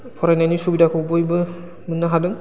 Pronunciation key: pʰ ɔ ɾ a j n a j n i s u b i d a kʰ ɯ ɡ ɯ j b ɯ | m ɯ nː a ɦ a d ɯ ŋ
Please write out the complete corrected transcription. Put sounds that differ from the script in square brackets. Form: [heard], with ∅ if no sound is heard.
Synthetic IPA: pʰ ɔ ɾ a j n a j n i s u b i d a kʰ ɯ [b] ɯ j b ɯ | m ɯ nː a ɦ a d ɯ ŋ